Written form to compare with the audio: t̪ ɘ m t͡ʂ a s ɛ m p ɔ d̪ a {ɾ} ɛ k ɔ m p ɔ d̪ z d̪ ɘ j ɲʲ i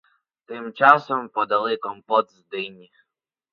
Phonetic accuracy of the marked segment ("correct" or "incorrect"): incorrect